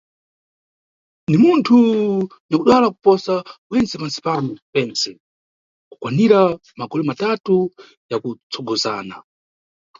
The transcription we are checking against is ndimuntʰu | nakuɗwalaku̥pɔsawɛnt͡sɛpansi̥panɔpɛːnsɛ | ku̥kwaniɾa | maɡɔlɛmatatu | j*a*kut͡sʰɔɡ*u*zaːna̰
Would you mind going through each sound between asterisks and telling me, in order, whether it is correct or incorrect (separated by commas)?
correct, incorrect